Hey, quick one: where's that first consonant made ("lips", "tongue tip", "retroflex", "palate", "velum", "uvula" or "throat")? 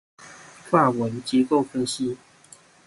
lips